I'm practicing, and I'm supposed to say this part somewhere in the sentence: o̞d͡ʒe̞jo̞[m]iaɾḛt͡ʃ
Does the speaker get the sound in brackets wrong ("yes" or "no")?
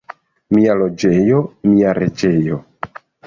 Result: no